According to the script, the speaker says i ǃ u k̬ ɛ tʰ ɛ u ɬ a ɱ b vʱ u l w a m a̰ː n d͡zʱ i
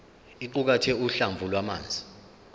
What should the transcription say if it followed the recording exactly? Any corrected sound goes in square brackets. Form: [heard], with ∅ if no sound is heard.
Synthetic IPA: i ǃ u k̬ [a] tʰ ɛ u ɬ a ɱ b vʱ u l w a m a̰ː n d͡zʱ i

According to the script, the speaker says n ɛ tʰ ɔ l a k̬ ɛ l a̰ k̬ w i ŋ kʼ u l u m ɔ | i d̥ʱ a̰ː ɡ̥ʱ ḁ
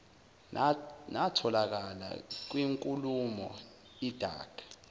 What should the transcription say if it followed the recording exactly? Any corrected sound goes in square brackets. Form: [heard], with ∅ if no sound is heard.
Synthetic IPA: n [a] tʰ ɔ l a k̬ [a] l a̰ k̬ w i ŋ kʼ u l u m ɔ | i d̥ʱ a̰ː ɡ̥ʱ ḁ

